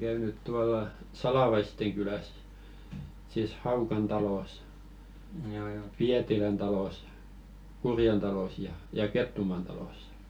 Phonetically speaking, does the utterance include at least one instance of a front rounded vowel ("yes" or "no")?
yes